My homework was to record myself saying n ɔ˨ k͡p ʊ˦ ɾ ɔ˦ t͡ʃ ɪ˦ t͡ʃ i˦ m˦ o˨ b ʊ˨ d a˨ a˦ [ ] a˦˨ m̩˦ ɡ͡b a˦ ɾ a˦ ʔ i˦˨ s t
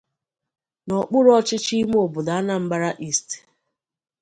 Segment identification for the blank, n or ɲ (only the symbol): n